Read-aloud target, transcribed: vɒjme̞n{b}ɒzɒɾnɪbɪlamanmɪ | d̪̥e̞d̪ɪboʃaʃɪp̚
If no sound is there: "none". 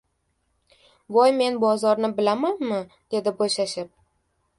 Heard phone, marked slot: b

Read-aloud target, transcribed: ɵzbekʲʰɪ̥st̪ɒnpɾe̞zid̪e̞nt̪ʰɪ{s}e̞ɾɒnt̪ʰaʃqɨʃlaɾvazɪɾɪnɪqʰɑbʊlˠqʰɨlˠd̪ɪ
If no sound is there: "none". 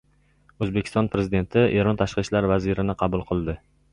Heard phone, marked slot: none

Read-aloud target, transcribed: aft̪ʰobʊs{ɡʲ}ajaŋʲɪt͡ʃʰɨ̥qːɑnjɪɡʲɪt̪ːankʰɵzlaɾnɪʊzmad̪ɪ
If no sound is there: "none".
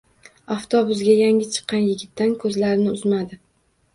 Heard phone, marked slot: ɡʲ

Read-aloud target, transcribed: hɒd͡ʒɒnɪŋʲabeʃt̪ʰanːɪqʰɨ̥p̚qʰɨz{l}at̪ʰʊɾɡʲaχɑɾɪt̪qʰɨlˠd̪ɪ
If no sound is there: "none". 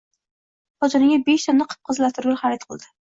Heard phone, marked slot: l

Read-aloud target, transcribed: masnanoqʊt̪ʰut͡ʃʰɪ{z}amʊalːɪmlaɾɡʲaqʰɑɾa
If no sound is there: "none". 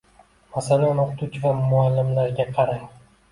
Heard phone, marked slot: v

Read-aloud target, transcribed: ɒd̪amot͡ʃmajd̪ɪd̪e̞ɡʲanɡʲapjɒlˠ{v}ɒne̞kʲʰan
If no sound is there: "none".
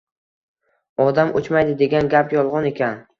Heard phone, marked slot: ʁ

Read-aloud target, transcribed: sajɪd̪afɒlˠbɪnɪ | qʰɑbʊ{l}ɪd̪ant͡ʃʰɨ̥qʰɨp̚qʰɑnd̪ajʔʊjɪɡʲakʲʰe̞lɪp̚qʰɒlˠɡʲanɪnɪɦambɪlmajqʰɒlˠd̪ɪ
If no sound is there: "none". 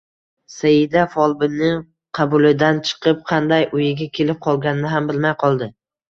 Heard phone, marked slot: l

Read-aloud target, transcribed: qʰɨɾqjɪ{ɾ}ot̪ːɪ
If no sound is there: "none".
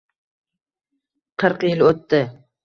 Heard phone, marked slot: l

